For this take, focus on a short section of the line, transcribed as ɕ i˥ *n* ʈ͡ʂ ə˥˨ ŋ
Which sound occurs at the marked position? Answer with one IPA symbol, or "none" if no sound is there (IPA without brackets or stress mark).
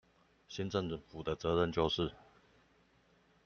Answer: n